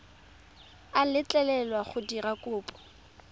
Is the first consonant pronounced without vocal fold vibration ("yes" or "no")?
no